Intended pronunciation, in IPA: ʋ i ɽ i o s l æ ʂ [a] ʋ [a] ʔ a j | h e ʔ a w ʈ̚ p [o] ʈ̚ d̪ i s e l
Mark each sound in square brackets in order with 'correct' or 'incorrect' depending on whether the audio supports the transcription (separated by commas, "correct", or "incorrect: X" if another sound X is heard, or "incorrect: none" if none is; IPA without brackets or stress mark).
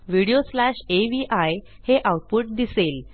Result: incorrect: e, incorrect: i, incorrect: u